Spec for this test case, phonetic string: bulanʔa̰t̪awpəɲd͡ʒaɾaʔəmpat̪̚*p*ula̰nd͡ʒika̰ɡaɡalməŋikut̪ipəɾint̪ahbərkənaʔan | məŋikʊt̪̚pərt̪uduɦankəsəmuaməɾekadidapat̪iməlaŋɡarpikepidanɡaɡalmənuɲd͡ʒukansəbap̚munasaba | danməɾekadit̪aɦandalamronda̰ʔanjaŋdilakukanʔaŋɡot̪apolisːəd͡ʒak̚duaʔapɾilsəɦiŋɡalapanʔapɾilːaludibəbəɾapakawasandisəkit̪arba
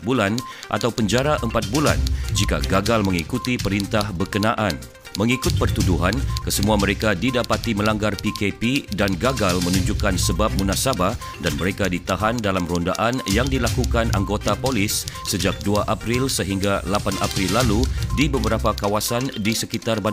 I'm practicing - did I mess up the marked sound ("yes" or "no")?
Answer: yes